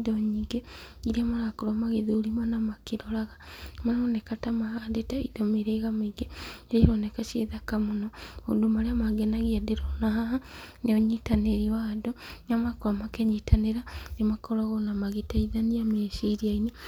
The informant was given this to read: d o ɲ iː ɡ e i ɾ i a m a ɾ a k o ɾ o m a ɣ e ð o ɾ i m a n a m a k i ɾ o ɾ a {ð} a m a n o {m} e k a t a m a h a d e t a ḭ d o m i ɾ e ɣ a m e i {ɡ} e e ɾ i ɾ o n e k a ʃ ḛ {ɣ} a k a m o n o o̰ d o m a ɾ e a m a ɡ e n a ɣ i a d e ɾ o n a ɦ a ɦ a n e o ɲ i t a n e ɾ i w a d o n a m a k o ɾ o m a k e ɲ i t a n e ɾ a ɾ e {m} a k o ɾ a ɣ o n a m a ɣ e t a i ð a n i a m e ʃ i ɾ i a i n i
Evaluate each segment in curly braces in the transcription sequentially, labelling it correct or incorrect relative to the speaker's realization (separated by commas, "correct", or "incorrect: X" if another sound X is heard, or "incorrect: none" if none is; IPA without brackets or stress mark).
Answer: incorrect: ɣ, incorrect: n, correct, incorrect: ð, correct